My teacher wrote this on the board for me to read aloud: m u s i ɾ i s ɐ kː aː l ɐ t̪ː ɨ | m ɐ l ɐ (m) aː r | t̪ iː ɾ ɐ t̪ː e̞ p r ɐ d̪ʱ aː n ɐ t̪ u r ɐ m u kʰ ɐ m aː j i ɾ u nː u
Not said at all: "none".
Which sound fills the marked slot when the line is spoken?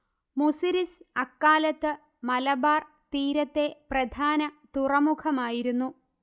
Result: b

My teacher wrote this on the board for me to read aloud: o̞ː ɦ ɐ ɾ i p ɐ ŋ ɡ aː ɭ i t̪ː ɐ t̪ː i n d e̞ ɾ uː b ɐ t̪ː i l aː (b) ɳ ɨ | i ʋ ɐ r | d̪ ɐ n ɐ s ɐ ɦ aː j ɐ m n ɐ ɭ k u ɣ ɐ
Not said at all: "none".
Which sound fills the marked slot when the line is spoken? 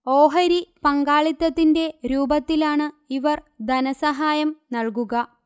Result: none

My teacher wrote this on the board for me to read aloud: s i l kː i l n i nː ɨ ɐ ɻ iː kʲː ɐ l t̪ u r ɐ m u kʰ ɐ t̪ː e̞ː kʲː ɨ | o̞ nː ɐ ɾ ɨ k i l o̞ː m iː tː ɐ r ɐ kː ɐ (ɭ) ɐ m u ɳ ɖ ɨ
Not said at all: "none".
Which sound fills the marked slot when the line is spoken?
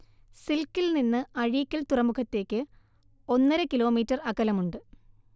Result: l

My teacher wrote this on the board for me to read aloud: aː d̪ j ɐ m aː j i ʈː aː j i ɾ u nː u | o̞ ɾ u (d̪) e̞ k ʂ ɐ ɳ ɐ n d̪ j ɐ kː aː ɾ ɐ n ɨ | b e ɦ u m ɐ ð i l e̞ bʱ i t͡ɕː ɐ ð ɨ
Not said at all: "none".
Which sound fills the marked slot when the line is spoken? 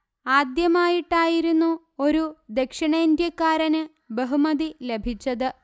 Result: d̪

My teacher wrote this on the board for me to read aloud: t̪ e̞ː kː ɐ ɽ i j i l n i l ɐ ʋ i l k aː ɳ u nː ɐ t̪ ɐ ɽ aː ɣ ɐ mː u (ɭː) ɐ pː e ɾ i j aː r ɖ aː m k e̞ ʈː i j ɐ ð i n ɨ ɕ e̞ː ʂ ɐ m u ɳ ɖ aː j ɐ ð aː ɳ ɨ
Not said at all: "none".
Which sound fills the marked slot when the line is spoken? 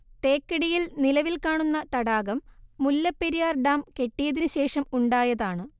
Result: lː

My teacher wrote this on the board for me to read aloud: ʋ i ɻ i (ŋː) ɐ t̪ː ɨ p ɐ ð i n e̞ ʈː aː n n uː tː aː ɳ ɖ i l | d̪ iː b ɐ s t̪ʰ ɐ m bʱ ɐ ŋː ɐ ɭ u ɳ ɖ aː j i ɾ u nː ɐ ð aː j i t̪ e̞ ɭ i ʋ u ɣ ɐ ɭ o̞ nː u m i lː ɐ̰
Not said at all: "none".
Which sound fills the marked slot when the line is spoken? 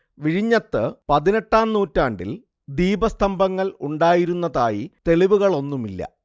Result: ɲː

